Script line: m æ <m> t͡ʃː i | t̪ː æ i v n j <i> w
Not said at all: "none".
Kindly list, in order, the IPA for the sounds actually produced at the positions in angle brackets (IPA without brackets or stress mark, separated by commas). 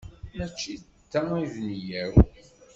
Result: none, æ